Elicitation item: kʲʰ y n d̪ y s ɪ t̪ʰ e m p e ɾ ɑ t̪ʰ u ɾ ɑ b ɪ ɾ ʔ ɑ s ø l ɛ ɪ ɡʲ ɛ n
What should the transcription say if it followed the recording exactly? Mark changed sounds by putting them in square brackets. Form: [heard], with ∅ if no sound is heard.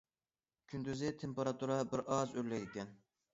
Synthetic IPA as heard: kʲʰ y n d̪ y [z] ɪ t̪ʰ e m p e ɾ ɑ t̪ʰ u ɾ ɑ b ɪ ɾ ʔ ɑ [z] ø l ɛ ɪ [kʲ] ɛ n